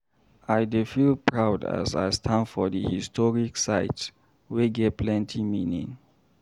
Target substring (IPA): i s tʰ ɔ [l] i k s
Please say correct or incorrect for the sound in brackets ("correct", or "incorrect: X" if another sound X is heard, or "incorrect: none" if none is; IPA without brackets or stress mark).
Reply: incorrect: ɹ